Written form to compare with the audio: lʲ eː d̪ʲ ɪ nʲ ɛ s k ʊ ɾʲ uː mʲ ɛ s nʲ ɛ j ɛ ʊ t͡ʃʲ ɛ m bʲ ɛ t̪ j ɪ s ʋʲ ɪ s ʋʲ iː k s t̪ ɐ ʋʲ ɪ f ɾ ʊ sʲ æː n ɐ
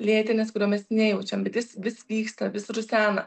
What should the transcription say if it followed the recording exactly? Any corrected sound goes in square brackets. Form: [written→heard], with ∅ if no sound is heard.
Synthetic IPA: lʲ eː [d̪ʲ→t̪ʲ] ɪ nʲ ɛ s k ʊ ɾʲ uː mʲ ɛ s nʲ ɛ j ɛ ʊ t͡ʃʲ ɛ m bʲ ɛ t̪ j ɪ s ʋʲ ɪ s ʋʲ iː k s t̪ ɐ ʋʲ ɪ [f→s] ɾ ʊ sʲ æː n ɐ

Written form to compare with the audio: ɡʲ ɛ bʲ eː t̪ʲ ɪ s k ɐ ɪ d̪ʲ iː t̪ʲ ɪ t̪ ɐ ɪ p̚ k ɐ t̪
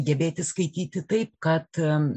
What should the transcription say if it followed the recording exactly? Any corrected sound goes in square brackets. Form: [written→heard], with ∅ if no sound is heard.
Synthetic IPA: ɡʲ ɛ bʲ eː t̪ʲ ɪ s k ɐ ɪ [d̪ʲ→t̪ʲ] iː t̪ʲ ɪ t̪ ɐ ɪ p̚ k ɐ t̪

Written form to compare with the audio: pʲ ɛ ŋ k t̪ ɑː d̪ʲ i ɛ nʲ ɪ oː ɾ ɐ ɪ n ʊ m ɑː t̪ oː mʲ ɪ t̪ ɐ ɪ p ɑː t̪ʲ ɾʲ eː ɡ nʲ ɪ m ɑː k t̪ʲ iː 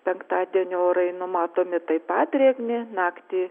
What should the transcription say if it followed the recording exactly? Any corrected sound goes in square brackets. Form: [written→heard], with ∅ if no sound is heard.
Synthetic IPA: pʲ ɛ ŋ k t̪ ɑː d̪ʲ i ɛ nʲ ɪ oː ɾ ɐ ɪ n ʊ m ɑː t̪ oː mʲ ɪ t̪ ɐ ɪ p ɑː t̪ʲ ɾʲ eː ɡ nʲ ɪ [m→n] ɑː k t̪ʲ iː

